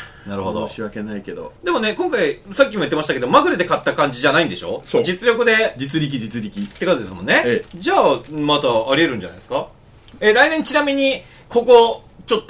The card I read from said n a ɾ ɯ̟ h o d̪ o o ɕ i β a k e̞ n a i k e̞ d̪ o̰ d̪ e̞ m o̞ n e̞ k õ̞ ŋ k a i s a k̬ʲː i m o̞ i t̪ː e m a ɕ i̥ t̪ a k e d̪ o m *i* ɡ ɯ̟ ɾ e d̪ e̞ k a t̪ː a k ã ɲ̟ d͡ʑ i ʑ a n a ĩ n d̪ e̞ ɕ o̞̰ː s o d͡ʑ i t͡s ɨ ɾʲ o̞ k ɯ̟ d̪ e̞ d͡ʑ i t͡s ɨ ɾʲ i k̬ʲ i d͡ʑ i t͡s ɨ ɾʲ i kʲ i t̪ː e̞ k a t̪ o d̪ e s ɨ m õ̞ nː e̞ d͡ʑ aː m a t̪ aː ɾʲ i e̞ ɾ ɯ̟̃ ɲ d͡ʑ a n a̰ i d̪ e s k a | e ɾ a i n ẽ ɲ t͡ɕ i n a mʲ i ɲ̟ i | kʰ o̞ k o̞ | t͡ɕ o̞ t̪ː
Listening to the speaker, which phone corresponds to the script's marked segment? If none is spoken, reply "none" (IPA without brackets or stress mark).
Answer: a